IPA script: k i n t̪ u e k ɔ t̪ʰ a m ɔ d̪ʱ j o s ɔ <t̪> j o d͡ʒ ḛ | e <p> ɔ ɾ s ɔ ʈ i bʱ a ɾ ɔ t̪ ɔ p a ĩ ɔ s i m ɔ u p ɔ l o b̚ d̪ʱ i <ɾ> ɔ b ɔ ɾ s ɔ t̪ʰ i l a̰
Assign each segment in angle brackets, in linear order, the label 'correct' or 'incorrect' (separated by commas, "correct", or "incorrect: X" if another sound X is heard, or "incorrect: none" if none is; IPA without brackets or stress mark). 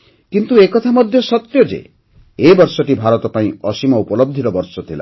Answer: correct, incorrect: b, correct